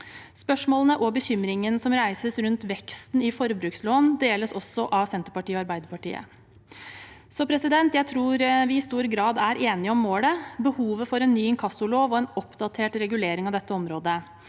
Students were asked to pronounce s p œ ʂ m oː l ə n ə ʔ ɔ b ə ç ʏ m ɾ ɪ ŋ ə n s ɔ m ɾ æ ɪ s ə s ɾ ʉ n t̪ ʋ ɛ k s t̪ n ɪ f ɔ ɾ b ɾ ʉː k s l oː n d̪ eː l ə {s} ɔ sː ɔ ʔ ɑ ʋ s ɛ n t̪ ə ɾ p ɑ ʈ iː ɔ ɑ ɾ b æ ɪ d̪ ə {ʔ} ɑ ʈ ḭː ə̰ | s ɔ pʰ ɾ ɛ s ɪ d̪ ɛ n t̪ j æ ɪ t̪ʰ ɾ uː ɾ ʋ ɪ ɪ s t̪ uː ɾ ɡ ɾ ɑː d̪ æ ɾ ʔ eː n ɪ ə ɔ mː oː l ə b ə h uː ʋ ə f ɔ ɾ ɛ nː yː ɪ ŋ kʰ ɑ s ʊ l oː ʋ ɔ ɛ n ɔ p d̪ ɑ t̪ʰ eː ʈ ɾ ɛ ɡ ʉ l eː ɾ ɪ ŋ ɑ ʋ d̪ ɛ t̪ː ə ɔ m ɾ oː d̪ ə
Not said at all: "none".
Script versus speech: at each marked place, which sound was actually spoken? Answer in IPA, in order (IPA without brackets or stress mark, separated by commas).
s, p